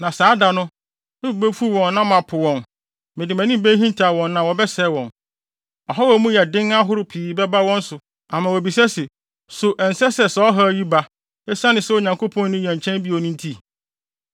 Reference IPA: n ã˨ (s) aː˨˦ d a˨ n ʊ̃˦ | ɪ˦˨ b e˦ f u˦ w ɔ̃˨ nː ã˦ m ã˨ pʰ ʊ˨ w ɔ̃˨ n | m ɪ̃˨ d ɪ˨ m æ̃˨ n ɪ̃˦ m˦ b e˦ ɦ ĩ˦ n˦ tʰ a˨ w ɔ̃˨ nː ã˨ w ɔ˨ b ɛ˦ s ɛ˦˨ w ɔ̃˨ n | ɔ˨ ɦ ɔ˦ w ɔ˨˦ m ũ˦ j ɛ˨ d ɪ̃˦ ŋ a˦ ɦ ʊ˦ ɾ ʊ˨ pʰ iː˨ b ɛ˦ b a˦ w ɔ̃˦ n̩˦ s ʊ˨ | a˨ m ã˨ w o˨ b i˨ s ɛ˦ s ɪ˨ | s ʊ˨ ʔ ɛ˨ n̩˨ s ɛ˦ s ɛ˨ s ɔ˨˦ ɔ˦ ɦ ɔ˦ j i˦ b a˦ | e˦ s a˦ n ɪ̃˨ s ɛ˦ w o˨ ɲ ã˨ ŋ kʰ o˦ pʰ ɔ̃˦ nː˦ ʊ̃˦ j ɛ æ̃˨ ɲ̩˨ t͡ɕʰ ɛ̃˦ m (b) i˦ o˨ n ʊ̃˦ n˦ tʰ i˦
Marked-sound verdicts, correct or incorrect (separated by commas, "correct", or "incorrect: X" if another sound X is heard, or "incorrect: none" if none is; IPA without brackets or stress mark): correct, correct